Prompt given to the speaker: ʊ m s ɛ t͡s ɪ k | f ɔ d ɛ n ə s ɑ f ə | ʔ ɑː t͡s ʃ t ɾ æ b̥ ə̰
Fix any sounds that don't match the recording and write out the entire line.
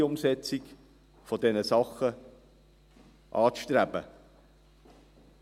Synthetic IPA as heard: ʊ m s ɛ t͡s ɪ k | f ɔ d ɛ n ə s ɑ χ ə | ʔ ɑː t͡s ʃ t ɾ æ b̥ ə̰